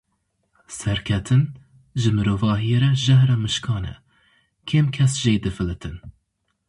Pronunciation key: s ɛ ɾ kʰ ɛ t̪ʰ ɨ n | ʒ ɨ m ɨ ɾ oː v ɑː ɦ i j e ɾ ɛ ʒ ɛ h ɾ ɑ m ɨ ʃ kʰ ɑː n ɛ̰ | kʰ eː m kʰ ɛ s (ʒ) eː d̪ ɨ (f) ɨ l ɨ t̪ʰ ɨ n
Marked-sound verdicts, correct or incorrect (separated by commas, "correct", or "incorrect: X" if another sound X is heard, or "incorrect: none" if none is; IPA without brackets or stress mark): correct, correct